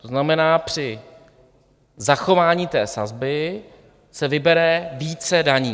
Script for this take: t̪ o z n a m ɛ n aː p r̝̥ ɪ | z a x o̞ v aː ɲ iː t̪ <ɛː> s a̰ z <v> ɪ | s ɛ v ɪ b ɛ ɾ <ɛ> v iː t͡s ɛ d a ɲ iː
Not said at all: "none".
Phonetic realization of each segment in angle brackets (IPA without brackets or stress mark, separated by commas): ɛː, b, ɛ